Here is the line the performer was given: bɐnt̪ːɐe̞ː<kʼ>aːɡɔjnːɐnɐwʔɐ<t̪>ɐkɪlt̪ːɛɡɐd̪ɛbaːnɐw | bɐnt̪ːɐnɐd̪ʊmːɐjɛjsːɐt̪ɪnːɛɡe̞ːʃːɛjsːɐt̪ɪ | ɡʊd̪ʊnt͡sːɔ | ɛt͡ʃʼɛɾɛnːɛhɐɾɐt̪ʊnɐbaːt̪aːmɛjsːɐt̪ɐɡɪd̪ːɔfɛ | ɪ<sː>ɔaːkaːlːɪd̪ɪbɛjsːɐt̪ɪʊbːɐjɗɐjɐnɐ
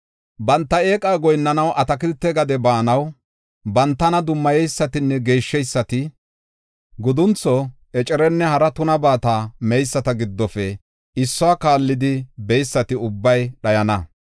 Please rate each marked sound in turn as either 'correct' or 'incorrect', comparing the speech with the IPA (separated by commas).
correct, correct, correct